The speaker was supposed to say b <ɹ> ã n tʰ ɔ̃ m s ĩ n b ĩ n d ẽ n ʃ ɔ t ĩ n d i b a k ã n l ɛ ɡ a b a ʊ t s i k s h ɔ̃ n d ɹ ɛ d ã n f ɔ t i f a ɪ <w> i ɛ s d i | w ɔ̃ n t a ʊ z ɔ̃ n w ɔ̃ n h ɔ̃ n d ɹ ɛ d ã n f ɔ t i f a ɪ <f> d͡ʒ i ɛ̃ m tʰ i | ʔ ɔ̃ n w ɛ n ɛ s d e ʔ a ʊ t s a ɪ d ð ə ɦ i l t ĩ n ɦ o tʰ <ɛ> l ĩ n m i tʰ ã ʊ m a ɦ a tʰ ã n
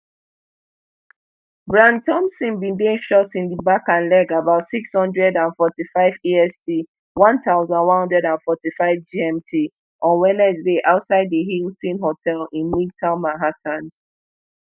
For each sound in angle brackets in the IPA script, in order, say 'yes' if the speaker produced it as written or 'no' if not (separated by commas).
yes, no, no, yes